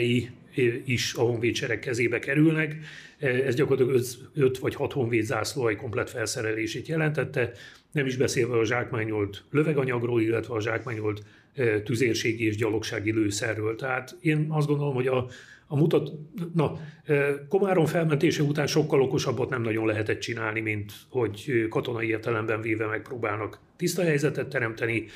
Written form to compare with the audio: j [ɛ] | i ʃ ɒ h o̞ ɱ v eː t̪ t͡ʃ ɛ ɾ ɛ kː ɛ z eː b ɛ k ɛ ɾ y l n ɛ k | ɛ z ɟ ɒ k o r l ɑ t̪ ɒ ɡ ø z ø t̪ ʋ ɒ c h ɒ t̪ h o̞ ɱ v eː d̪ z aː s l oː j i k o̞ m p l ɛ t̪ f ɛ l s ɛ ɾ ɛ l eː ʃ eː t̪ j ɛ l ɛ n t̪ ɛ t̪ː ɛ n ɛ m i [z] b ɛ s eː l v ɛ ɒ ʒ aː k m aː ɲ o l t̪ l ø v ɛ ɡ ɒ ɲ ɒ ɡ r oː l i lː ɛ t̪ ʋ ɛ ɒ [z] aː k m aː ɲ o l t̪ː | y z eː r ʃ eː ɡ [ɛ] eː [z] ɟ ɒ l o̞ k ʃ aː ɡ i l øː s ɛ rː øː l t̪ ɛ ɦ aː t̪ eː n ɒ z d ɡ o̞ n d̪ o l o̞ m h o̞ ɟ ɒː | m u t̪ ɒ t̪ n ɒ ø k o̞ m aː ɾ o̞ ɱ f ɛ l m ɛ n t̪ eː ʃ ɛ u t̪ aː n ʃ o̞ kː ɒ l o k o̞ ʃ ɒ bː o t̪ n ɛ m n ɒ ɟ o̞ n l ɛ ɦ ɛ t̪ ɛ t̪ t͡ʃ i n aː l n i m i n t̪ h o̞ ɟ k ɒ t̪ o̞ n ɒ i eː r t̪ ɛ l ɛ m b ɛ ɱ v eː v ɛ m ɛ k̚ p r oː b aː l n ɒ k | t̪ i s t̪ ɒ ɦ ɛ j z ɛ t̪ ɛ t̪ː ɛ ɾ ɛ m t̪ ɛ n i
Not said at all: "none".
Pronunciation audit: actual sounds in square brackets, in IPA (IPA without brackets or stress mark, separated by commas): i, ʒ, ʒ, i, ʒ